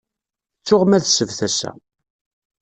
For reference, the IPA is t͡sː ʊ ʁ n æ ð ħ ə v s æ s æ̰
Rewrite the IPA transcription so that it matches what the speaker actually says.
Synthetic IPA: t͡sː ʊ ʁ m æ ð s ə v θ æ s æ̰